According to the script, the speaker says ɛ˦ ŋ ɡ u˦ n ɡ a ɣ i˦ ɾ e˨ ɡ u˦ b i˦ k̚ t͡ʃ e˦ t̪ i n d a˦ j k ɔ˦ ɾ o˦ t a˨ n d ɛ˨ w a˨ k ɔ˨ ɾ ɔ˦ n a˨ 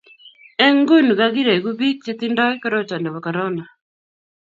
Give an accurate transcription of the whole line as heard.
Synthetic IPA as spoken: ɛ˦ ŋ ɡ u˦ n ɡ a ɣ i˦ ɾ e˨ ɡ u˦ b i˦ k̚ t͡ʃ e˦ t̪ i n d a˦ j k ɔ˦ ɾ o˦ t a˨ n d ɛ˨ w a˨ k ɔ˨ ɾ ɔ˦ n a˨